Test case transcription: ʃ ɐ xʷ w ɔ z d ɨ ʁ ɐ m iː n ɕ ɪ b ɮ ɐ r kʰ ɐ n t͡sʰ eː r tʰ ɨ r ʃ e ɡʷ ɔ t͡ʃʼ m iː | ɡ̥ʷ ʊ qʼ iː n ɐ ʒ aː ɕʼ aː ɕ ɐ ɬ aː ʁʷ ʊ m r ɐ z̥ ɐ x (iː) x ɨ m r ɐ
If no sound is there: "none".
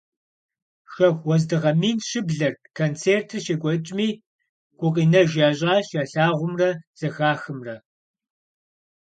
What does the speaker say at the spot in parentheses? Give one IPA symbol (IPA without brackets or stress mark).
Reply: aː